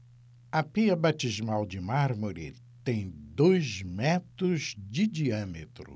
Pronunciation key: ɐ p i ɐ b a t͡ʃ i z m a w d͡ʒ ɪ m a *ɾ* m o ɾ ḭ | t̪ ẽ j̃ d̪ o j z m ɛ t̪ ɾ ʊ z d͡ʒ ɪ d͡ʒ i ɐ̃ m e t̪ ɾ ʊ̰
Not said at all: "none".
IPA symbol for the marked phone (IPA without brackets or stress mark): ɾ